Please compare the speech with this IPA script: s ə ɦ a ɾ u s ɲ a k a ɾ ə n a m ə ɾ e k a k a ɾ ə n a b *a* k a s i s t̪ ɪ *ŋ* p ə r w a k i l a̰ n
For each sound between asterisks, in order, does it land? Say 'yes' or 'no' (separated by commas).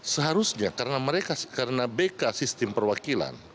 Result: no, no